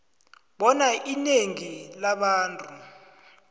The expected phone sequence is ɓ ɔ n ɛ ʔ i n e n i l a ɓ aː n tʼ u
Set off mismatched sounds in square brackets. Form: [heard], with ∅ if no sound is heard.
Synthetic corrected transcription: ɓ ɔ n [a] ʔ i n e [ŋ] i l a ɓ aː n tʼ u